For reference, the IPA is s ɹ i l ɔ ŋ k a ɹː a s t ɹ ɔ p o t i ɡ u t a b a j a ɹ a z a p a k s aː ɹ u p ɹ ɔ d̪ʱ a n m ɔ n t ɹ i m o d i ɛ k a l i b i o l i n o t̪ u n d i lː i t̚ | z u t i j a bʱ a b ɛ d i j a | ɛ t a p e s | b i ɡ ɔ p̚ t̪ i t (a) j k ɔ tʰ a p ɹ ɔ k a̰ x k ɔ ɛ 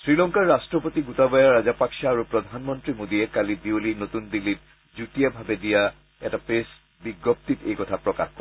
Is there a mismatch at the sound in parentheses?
yes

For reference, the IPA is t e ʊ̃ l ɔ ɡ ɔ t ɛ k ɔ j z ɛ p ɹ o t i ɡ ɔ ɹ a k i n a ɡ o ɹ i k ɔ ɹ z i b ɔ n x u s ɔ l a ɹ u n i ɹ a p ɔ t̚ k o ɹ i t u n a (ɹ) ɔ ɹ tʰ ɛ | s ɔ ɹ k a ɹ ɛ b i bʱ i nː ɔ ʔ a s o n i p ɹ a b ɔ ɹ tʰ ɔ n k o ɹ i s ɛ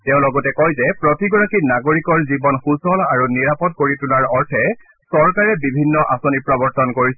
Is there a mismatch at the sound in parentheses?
no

